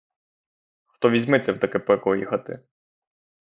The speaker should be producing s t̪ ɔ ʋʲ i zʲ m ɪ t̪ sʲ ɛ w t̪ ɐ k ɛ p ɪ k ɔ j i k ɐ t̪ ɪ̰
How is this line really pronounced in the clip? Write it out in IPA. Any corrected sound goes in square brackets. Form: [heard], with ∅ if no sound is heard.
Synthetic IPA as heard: [x] t̪ ɔ ʋʲ i zʲ m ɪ t̪ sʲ ɛ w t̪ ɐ k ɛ p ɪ k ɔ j i [x] ɐ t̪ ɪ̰